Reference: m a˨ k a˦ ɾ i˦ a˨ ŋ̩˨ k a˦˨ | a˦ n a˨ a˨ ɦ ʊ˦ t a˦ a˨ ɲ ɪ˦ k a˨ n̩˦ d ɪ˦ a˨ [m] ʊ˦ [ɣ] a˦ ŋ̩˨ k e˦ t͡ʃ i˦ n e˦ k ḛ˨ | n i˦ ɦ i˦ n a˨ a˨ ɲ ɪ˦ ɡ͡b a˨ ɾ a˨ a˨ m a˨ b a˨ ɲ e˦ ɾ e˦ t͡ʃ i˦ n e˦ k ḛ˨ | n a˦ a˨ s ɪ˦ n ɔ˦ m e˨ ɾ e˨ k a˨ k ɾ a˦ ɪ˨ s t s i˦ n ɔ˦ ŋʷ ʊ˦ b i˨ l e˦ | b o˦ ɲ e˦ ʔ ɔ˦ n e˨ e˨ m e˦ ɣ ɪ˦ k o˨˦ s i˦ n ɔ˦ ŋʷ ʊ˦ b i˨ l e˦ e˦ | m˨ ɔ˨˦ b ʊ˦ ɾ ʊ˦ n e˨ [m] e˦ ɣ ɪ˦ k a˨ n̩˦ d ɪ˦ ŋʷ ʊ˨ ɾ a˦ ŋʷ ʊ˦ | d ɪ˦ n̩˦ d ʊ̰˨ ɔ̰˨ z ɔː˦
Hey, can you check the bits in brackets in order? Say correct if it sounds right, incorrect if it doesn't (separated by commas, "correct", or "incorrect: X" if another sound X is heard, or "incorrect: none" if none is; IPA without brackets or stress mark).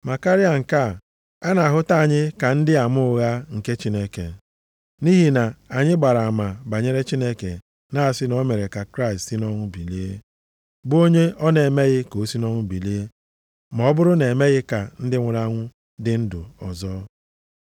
correct, correct, correct